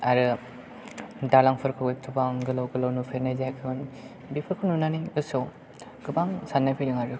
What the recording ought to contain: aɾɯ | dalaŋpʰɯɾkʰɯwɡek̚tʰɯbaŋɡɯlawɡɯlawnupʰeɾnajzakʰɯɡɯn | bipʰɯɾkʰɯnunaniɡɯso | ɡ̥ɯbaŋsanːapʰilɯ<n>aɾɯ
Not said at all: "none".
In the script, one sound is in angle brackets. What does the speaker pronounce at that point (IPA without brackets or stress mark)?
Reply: ŋ